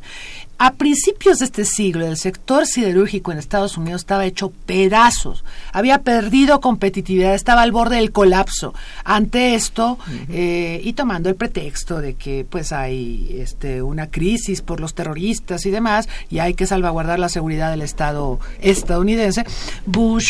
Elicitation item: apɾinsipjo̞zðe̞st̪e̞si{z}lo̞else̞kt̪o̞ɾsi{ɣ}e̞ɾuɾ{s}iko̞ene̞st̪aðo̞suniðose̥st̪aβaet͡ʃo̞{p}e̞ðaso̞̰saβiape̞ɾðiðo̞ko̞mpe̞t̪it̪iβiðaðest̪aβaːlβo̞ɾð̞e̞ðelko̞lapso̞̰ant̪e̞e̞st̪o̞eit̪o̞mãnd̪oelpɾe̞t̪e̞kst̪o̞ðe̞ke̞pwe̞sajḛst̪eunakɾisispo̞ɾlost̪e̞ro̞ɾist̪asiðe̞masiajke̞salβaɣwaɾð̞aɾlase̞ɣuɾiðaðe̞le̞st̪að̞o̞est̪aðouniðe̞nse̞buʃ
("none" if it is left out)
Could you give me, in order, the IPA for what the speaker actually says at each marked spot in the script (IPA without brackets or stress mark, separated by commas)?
ɣ, ð, x, p